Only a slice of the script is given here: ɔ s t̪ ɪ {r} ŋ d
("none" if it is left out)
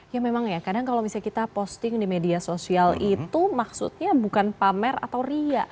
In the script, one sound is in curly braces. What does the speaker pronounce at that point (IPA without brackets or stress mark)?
none